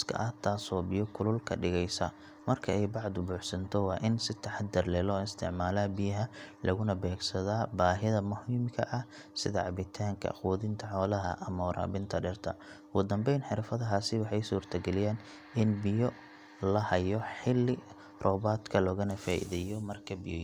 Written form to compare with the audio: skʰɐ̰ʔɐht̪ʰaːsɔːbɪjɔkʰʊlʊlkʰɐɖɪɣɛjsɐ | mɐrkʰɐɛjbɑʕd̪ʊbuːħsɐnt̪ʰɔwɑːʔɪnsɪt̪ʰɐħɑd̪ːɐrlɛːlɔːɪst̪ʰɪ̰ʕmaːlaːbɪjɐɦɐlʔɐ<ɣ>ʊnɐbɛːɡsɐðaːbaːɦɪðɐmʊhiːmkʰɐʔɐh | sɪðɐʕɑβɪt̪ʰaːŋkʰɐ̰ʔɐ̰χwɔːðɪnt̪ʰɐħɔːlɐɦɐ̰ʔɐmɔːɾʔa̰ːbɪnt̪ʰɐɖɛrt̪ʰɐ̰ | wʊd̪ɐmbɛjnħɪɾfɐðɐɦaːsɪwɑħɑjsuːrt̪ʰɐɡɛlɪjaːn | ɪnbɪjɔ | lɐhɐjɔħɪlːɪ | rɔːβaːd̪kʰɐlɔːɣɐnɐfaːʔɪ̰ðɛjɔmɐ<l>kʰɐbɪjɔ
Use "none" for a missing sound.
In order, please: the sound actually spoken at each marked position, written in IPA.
ɣ, r

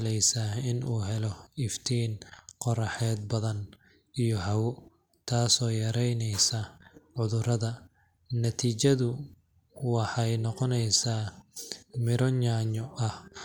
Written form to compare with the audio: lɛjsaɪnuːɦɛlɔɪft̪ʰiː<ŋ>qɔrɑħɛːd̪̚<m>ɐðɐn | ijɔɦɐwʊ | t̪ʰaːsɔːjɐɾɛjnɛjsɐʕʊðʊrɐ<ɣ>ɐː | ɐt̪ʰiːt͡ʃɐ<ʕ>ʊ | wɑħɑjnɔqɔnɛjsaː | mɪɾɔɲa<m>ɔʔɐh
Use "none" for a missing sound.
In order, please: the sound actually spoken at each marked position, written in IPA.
n, b, ð, ð, ɲ

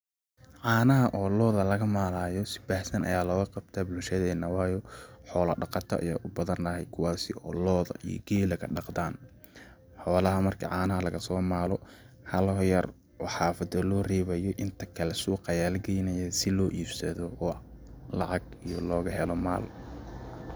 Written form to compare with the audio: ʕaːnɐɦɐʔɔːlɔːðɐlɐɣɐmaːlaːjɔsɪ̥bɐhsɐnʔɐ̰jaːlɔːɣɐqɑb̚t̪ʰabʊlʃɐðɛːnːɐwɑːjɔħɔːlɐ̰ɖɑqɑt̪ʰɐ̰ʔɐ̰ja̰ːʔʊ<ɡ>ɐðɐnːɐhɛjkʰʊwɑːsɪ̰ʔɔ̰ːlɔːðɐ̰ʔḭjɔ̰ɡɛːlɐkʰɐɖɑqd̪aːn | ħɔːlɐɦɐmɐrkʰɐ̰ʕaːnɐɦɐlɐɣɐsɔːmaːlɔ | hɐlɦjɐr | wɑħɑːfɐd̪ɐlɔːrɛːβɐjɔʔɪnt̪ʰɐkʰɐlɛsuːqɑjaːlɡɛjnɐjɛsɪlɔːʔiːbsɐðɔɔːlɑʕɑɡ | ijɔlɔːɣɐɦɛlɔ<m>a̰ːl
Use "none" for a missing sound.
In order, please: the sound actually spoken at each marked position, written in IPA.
b, m

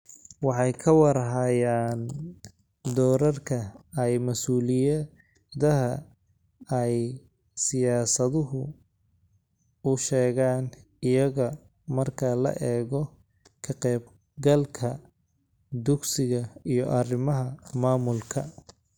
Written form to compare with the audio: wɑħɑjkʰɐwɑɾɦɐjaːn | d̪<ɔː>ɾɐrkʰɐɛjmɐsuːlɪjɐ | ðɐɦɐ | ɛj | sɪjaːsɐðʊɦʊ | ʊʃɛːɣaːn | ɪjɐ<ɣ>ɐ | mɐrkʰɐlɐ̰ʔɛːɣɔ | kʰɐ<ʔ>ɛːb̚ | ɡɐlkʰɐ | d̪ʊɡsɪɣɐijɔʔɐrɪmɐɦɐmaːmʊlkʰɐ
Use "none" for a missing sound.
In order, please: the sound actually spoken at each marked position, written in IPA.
ɔː, ɣ, q

